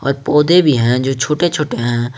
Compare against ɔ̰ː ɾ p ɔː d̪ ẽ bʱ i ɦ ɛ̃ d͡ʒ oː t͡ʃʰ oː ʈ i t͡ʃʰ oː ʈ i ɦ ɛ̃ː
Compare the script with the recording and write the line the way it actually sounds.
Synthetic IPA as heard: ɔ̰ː ɾ p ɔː d̪ e bʱ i ɦ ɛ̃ d͡ʒ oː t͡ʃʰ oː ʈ e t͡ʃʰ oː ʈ e ɦ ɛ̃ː